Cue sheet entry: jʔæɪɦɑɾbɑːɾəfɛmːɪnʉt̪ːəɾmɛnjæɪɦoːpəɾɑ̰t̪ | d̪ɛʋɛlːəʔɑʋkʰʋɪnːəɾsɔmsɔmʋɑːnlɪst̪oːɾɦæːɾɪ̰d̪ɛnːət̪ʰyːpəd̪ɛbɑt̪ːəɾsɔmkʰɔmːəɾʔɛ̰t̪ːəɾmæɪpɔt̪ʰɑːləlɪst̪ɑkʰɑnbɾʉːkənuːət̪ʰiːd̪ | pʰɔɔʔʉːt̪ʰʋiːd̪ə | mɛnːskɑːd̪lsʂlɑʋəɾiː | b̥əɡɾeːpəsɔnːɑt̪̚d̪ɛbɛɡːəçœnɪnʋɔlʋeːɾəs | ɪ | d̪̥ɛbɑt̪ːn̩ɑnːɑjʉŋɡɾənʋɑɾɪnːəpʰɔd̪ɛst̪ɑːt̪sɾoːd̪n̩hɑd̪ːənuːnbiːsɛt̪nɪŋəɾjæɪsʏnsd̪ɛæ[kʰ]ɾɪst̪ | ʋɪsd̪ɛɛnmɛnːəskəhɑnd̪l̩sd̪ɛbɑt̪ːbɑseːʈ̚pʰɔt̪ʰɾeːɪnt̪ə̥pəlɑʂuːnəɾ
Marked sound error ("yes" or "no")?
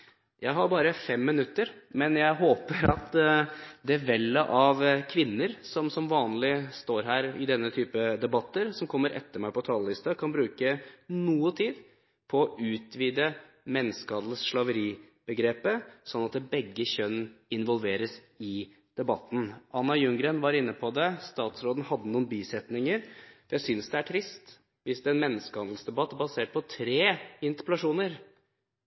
yes